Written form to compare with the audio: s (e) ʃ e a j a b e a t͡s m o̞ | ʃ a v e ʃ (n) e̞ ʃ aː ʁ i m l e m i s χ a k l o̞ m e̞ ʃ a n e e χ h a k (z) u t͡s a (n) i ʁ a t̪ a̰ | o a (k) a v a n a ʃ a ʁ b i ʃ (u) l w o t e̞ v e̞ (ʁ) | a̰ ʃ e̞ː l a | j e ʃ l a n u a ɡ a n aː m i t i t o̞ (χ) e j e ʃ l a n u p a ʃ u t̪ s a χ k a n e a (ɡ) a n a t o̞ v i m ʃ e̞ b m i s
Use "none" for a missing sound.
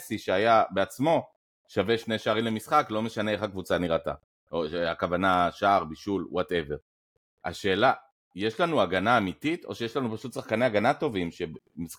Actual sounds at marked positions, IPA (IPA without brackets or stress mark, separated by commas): i, n, v, n, k, u, ʁ, ʃ, ɡ